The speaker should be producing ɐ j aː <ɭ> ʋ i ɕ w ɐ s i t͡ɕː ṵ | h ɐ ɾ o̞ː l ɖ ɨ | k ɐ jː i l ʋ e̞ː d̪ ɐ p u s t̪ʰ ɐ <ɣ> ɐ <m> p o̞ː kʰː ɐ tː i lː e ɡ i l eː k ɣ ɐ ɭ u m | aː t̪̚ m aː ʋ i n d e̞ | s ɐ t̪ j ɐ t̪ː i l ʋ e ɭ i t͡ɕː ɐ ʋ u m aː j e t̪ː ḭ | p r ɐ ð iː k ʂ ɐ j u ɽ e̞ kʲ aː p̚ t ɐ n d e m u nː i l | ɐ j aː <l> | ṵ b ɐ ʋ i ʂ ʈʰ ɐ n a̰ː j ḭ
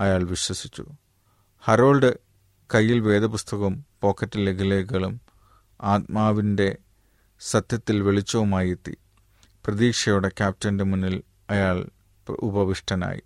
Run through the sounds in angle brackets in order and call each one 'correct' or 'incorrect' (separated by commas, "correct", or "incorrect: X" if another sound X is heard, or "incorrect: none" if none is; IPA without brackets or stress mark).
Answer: correct, correct, correct, incorrect: ɭ